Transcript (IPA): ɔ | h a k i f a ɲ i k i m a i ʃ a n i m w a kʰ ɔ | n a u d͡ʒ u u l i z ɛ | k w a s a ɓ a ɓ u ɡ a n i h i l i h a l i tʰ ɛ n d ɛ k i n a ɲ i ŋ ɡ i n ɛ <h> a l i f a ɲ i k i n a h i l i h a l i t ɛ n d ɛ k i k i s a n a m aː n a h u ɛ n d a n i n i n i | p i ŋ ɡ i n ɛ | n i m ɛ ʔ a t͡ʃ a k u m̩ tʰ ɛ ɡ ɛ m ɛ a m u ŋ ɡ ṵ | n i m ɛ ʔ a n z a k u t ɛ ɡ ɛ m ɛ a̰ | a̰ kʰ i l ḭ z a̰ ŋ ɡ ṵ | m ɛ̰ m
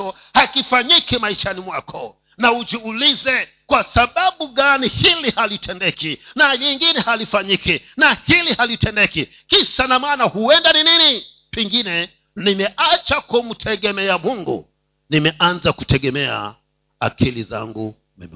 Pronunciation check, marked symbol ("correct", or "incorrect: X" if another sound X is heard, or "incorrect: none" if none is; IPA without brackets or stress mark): correct